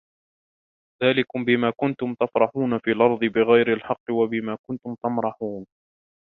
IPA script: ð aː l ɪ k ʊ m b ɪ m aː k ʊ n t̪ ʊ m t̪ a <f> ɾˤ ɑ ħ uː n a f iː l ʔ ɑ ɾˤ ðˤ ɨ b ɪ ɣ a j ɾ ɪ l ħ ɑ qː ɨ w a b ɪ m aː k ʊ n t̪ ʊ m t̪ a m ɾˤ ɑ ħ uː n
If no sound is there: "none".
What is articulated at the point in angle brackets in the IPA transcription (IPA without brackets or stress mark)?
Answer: f